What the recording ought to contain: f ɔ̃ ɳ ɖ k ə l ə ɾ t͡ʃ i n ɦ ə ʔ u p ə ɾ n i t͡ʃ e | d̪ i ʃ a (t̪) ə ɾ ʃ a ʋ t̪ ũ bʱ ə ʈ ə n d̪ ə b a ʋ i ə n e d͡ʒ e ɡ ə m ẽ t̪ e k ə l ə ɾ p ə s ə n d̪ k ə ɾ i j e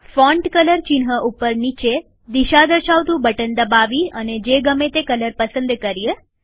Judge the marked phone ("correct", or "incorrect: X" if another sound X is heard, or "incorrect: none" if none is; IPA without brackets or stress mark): incorrect: d̪